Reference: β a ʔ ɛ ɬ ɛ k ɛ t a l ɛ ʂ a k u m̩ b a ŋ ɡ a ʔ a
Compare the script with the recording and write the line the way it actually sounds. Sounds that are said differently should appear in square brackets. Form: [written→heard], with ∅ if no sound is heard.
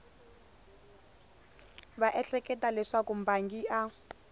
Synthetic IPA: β a ʔ ɛ ɬ ɛ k ɛ t a l ɛ ʂ a k u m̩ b a ŋ ɡ [a→i] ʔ a